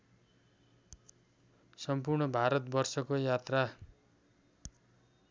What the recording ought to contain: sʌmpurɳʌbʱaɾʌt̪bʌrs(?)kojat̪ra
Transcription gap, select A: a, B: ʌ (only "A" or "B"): B